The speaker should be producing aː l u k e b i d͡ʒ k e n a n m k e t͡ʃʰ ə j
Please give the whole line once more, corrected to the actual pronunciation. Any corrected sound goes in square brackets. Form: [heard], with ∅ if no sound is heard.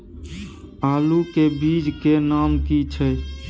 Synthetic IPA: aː l u k e b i d͡ʒ k e n a [∅] m k [i] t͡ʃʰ ə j